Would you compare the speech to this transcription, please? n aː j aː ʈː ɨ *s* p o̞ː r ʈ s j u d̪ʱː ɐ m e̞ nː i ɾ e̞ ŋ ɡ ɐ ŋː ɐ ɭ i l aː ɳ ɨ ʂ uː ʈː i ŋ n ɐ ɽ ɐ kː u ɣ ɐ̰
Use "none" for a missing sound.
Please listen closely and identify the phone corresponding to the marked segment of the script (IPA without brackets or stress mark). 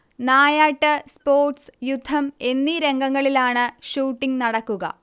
s